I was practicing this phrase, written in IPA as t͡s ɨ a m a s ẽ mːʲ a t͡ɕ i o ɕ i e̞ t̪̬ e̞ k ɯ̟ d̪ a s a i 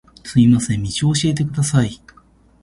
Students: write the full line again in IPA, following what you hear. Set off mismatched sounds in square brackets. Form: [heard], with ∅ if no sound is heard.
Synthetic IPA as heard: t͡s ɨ [i] m a s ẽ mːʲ [i] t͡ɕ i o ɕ i e̞ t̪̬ e̞ k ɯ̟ d̪ a s a i

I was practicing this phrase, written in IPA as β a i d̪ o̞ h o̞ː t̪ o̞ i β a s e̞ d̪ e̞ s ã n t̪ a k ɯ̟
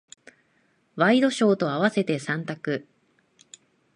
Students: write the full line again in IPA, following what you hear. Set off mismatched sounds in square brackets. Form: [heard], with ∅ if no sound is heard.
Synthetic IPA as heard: β a i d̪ o̞ [ɕ] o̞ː t̪ o̞ [a] β a s e̞ [t̪] e̞ s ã n t̪ a k ɯ̟

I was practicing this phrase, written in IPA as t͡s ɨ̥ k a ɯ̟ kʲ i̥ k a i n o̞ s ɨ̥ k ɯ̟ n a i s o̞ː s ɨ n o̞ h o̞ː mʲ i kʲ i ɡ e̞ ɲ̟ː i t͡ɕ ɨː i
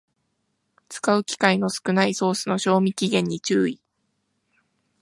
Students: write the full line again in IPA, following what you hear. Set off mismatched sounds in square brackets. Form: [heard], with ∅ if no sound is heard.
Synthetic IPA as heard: t͡s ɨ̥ k a ɯ̟ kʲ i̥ k a i n o̞ s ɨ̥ k ɯ̟ n a i s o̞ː s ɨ n o̞ [ɕ] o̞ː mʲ i kʲ i ɡ [ẽ̞] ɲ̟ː i t͡ɕ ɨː i

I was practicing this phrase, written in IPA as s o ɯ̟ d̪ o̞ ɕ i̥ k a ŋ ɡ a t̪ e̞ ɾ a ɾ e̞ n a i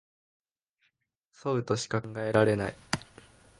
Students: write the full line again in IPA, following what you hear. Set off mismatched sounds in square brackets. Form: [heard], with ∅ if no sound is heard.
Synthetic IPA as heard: s o ɯ̟ [t̪] o̞ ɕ i̥ k a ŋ ɡ a [∅] e̞ ɾ a ɾ e̞ n a i

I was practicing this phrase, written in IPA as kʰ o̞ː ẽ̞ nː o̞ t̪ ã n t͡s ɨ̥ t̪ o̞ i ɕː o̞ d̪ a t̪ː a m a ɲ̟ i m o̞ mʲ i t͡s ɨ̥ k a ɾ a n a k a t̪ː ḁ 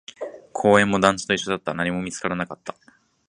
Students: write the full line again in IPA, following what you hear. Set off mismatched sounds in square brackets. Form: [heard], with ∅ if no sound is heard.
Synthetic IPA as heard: kʰ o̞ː ẽ̞ [mː] o̞ [d̪] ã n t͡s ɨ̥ t̪ o̞ i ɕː o̞ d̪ a t̪ː a [n] a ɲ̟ i m o̞ mʲ i t͡s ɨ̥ k a ɾ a n a k a t̪ː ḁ

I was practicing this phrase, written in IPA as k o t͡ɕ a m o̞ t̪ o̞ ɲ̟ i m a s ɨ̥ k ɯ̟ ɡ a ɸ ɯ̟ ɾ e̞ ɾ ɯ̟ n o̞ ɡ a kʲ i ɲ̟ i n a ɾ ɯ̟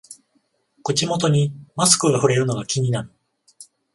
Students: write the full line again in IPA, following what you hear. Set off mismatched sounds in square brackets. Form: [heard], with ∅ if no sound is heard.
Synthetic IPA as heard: k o t͡ɕ [i] m o̞ t̪ o̞ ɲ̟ i m a s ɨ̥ k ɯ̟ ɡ a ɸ ɯ̟ ɾ e̞ ɾ ɯ̟ n o̞ ɡ a kʲ i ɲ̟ i n a ɾ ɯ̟

